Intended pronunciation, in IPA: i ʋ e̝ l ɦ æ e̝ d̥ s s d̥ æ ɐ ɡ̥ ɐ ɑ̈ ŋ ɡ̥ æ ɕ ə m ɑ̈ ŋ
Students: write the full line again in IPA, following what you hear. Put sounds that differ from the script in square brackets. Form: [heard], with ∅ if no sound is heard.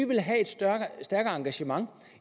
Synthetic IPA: i ʋ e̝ l ɦ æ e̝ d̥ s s d̥ æ ɐ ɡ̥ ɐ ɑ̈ ŋ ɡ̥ æ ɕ ə m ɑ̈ ŋ

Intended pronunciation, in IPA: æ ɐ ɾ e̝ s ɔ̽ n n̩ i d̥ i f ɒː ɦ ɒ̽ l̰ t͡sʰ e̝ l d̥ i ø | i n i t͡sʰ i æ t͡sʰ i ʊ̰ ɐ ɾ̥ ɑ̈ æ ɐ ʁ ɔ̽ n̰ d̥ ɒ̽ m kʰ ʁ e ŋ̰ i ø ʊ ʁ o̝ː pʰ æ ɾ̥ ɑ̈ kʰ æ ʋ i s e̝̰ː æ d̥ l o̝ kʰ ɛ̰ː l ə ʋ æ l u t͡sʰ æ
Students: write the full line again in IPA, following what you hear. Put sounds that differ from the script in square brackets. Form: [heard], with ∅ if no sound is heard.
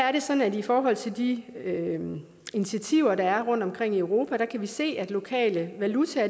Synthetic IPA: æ ɐ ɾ e̝ s [ɒ̽] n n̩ [æ] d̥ i f ɒː ɦ ɒ̽ l̰ t͡sʰ e̝ l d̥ i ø | i n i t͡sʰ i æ t͡sʰ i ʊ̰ ɐ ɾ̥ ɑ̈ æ ɐ ʁ ɔ̽ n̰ d̥ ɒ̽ m kʰ ʁ e ŋ̰ i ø ʊ ʁ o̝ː pʰ æ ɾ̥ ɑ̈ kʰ æ ʋ i s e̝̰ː æ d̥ l o̝ kʰ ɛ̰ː l ə ʋ æ l u t͡sʰ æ

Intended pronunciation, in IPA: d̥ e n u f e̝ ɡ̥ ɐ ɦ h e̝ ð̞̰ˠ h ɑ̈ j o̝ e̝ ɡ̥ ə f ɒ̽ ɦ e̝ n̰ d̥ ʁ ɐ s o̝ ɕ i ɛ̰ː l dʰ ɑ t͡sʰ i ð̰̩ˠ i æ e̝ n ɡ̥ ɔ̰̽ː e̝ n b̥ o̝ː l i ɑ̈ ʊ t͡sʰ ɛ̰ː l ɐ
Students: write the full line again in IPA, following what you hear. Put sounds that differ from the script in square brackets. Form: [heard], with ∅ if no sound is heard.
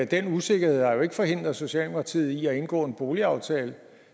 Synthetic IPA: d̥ e n u [s] e̝ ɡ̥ ɐ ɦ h e̝ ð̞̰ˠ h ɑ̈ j o̝ e̝ ɡ̥ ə f ɒ̽ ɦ e̝ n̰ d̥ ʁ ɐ s o̝ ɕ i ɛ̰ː l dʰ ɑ t͡sʰ i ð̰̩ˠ i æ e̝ n ɡ̥ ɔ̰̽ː e̝ n b̥ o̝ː l i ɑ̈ ʊ t͡sʰ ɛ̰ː l [ə]

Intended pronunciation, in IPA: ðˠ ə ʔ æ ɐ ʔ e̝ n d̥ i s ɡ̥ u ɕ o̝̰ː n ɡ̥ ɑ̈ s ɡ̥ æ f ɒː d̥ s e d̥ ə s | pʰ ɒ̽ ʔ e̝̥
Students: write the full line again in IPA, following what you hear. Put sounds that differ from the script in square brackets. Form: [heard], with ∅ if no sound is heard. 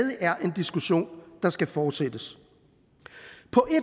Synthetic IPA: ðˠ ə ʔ æ ɐ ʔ e̝ n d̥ i s ɡ̥ u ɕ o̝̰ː n [d̥] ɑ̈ s ɡ̥ æ f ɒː d̥ s e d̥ ə s | pʰ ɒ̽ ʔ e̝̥

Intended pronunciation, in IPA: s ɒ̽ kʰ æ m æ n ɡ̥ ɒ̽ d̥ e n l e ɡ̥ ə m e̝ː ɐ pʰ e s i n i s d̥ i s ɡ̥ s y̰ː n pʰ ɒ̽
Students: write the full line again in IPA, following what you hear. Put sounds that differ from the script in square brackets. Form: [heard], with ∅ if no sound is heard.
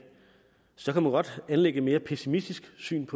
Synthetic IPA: s ɒ̽ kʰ æ m æ n ɡ̥ ɒ̽ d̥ [æ] n l e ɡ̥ ə m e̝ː ɐ pʰ e s i [m] i s d̥ i s ɡ̥ s y̰ː n pʰ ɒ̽

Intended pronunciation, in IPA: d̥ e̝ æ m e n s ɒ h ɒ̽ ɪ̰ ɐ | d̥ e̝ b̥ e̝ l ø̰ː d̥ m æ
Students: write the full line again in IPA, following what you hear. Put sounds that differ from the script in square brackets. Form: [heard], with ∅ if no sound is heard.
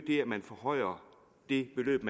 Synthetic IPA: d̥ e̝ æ m [æ] n [f] ɒ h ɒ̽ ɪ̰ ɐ | d̥ e̝ b̥ e̝ l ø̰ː [b̥] m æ

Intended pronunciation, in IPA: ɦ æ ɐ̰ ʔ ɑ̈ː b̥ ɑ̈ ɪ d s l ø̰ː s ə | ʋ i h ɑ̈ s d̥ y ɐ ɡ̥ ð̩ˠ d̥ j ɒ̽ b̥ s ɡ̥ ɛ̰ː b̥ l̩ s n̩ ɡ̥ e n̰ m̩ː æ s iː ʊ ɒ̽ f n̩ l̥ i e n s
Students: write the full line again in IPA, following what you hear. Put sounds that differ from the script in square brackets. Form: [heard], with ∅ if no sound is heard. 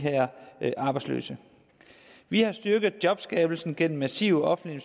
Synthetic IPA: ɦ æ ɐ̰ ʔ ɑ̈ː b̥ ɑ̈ ɪ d s l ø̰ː s ə | ʋ i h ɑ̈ s d̥ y ɐ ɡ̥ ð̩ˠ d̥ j ɒ̽ b̥ s ɡ̥ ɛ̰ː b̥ l̩ s n̩ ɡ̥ e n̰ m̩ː æ s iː ʊ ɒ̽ f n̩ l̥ i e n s

